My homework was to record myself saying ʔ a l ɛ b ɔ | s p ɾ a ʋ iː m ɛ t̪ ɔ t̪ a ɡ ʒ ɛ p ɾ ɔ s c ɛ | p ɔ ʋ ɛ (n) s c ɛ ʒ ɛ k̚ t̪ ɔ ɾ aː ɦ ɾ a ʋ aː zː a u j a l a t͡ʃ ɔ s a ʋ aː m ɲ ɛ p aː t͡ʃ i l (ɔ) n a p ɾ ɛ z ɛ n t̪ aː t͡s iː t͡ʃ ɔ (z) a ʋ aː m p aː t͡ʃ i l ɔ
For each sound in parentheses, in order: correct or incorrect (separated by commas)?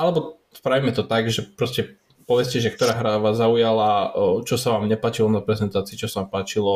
incorrect, correct, incorrect